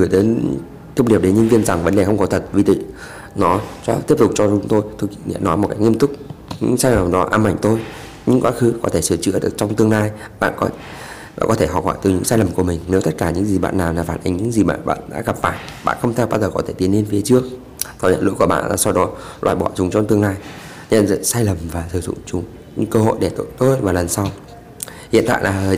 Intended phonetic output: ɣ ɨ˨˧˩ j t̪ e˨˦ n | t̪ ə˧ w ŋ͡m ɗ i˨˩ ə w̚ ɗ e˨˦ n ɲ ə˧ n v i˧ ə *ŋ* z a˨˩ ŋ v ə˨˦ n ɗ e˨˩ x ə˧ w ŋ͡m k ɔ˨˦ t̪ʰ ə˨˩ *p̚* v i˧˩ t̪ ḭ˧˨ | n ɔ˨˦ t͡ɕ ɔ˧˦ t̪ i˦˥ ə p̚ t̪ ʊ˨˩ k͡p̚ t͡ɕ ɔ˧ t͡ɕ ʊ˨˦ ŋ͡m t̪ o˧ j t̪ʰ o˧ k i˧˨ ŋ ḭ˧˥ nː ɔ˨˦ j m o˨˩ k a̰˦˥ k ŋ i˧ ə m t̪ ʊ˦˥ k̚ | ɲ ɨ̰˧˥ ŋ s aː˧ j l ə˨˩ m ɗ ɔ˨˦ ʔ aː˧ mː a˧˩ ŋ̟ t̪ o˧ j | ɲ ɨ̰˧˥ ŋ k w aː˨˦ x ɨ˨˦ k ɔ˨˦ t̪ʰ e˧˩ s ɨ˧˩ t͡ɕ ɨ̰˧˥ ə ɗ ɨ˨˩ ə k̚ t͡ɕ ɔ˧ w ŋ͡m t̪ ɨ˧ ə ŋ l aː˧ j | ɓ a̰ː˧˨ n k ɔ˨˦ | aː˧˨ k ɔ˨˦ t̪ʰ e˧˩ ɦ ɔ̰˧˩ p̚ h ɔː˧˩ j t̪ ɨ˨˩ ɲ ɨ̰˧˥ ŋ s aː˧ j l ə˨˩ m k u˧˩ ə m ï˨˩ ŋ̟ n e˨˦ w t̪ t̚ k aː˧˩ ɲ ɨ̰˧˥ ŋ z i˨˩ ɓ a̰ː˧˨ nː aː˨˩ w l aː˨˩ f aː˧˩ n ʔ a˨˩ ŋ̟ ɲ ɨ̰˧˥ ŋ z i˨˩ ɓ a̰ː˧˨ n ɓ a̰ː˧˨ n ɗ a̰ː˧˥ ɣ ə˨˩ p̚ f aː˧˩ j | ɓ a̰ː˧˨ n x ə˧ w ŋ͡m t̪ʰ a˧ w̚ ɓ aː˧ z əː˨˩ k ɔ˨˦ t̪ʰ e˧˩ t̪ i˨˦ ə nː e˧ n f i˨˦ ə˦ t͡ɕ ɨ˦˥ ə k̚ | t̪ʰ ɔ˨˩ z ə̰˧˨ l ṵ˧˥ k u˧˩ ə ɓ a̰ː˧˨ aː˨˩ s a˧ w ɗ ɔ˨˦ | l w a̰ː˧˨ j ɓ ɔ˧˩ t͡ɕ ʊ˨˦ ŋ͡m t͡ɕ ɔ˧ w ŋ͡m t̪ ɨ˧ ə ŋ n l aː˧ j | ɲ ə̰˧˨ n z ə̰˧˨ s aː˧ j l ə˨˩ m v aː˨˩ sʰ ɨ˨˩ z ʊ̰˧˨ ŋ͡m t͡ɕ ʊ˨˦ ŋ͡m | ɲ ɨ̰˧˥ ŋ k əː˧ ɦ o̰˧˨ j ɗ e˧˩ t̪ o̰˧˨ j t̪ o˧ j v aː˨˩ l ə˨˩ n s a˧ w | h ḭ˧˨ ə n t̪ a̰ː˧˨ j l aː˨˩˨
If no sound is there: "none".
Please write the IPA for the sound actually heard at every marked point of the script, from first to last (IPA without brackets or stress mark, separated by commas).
n, t̚